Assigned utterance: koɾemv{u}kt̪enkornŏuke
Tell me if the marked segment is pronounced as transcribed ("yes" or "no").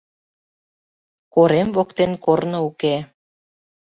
no